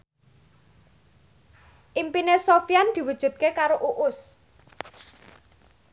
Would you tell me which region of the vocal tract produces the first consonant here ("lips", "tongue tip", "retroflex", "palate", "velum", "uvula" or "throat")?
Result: throat